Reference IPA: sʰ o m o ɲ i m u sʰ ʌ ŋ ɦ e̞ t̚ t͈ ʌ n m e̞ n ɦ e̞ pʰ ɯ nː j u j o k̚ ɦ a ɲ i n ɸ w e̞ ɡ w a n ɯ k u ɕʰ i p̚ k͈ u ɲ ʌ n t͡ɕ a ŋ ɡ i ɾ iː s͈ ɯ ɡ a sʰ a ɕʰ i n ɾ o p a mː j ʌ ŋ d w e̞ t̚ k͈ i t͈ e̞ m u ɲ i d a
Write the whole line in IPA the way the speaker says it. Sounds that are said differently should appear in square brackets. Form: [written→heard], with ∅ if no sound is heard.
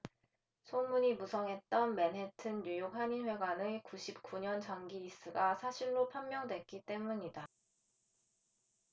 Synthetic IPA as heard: sʰ o m [o→u] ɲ i m u sʰ ʌ ŋ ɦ e̞ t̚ t͈ ʌ n m e̞ n ɦ e̞ [pʰ→tʰ] ɯ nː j u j o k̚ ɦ a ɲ i n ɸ w e̞ ɡ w a n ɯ k u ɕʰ i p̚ k͈ u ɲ ʌ n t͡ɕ a ŋ ɡ i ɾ [iː→i] s͈ ɯ ɡ a sʰ a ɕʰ i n ɾ o [p→pʰ] a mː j ʌ ŋ d w e̞ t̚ k͈ i t͈ e̞ m u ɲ i d a